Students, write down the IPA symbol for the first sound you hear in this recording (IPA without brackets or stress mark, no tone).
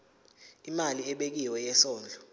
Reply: i